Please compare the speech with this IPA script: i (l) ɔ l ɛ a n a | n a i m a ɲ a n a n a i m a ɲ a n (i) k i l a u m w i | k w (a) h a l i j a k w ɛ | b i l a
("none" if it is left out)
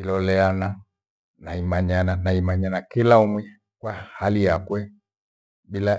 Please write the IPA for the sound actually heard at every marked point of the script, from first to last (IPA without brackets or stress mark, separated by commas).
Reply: l, a, a